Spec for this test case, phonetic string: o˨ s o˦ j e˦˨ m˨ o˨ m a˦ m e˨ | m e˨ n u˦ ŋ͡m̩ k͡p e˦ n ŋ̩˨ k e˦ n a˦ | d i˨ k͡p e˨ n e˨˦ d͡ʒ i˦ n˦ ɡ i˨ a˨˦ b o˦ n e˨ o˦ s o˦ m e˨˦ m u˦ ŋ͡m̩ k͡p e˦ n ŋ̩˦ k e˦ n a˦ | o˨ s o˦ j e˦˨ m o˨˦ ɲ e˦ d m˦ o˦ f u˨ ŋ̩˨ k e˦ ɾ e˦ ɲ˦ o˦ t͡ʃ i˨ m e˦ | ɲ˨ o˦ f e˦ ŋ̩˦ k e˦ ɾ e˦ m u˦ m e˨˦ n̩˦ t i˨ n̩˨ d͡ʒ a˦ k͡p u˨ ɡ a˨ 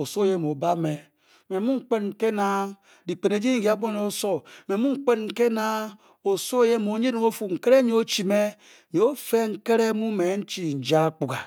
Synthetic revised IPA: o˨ s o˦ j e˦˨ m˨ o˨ b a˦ m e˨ | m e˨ m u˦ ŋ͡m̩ k͡p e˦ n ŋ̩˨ k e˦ n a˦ | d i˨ k͡p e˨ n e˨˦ d͡ʒ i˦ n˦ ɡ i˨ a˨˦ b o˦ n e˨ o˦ s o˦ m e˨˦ m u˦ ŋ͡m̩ k͡p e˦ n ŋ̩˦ k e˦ n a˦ | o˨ s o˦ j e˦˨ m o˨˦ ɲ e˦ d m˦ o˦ f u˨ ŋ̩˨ k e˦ ɾ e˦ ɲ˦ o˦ t͡ʃ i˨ m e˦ | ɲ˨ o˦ f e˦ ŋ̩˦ k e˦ ɾ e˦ m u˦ m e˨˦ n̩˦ t͡ʃ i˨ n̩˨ d͡ʒ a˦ k͡p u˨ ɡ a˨

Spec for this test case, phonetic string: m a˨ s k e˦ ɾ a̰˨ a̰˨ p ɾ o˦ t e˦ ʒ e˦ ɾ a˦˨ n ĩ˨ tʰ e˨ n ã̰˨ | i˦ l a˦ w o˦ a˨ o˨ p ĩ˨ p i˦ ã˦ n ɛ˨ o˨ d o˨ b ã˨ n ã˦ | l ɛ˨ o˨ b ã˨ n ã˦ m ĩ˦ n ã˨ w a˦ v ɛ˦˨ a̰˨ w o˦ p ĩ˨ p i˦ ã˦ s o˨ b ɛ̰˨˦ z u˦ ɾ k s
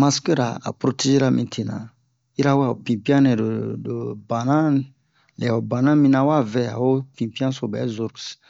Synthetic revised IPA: m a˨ s k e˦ ɾ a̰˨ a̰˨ p ɾ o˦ t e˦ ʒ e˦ ɾ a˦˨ m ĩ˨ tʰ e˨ n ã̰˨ | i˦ ɾ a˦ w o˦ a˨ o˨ p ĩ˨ p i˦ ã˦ n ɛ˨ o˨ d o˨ b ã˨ n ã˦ | l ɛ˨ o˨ b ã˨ n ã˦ m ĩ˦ n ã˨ w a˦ v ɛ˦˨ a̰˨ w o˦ p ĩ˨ p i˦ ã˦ s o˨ b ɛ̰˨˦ z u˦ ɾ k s

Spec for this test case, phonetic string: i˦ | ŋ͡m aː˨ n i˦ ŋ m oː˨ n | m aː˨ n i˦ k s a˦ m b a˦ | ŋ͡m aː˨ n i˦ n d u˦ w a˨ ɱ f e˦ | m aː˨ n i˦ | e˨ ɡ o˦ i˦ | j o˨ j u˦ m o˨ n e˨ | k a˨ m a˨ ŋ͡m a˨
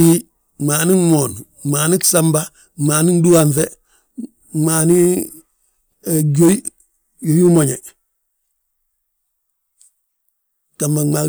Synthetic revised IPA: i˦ | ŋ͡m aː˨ n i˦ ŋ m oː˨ n | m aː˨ n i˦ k s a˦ m b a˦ | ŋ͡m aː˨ n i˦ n d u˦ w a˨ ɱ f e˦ | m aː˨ n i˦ | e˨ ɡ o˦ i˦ | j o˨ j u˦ m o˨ ɲ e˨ | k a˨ m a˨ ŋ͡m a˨

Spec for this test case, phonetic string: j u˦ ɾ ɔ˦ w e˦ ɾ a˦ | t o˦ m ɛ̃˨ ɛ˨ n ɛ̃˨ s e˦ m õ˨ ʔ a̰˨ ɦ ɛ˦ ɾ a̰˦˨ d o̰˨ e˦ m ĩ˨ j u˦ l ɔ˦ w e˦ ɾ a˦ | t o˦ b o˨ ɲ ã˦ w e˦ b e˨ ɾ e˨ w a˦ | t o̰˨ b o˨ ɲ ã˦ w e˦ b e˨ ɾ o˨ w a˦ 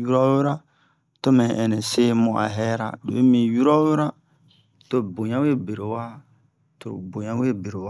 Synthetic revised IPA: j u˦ ɾ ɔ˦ w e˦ ɾ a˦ | t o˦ m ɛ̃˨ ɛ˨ n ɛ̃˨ s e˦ m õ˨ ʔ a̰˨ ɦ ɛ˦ ɾ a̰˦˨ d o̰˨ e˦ m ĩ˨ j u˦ ɾ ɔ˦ w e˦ ɾ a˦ | t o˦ b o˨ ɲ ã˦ w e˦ b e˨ ɾ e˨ w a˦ | t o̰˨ b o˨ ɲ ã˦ w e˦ b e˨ ɾ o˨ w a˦

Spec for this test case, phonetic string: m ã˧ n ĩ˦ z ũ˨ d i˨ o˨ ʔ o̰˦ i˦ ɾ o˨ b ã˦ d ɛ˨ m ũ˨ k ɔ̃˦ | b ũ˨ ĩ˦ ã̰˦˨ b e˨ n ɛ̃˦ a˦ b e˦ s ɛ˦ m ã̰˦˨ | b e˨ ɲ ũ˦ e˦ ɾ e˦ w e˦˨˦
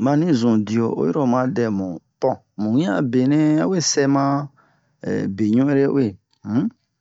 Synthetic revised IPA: m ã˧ n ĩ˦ z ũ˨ d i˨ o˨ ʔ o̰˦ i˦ ɾ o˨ m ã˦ d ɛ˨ m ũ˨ p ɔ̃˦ | m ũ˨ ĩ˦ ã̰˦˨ b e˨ n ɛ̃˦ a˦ w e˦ s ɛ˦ m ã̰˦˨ | b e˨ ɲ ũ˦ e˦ ɾ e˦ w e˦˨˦

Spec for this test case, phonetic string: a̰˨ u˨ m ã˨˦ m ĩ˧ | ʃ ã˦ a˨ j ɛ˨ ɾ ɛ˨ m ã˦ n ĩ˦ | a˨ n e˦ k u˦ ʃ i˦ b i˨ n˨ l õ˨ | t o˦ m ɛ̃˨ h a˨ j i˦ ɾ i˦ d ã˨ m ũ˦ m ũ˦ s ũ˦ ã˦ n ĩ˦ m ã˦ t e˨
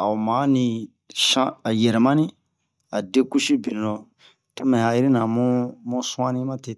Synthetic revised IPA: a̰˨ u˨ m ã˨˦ n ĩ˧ | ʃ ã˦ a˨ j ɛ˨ ɾ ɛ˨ m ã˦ n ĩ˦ | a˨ d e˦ k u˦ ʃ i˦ b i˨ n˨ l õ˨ | t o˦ m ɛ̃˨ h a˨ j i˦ ɾ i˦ n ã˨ m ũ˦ m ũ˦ s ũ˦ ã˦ n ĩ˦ m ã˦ t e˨

